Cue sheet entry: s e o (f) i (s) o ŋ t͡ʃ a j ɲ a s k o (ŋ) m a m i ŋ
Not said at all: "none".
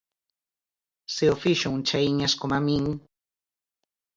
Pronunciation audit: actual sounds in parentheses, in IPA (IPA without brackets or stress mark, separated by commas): f, ʃ, none